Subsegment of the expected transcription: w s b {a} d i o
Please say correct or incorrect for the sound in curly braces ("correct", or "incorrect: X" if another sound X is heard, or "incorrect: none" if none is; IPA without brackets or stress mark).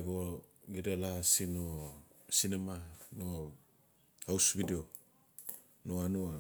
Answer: incorrect: i